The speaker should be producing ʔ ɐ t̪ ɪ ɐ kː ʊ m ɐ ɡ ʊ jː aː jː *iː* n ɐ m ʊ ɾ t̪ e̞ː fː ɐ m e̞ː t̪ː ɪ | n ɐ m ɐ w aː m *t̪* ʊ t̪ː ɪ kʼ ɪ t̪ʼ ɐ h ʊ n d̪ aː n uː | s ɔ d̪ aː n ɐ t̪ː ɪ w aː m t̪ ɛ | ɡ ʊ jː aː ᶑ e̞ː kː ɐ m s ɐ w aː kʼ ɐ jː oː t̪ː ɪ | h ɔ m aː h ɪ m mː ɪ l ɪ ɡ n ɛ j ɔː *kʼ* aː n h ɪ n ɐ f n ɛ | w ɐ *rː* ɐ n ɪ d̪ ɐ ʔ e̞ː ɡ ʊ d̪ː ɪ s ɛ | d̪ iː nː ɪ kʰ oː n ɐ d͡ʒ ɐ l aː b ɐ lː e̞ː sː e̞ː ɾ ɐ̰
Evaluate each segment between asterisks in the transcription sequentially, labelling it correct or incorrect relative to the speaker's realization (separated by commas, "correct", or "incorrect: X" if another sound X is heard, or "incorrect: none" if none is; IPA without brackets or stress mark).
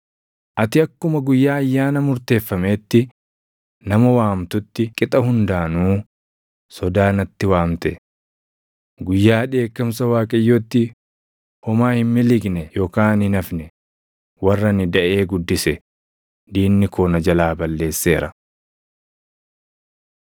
incorrect: aː, correct, incorrect: k, correct